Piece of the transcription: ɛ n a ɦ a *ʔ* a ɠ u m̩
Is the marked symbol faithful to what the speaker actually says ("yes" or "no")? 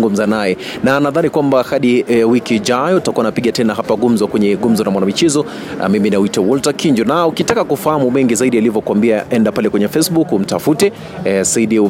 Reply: no